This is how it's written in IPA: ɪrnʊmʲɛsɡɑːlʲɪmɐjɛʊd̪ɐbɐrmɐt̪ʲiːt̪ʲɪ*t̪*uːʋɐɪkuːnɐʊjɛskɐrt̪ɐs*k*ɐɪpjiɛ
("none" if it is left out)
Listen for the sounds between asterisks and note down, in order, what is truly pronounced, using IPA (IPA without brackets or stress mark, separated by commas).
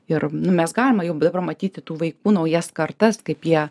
t̪, k